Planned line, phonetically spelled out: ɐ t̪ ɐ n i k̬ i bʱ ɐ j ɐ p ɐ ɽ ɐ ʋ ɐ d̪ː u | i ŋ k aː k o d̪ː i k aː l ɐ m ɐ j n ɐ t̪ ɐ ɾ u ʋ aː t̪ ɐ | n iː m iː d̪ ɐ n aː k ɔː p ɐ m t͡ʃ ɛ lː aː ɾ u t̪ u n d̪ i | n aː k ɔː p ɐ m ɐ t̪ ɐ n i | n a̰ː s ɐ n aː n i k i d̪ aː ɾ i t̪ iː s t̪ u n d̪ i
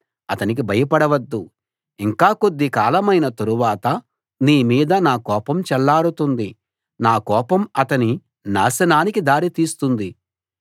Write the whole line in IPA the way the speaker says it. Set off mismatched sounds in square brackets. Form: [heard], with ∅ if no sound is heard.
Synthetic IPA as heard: ɐ t̪ ɐ n i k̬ i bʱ ɐ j ɐ p ɐ ɽ ɐ ʋ ɐ d̪ː u | i ŋ k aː k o d̪ː i k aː l ɐ m ɐ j n ɐ t̪ ɐ ɾ u ʋ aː t̪ ɐ | n iː m iː d̪ ɐ n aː k ɔː p ɐ m t͡ʃ ɛ lː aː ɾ u t̪ u n d̪ i | n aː k ɔː p ɐ m ɐ t̪ ɐ n i | n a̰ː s ɐ n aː n i k i d̪ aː ɾ i t̪ iː s t̪ u n d̪ i